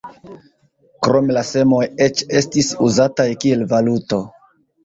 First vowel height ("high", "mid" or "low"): mid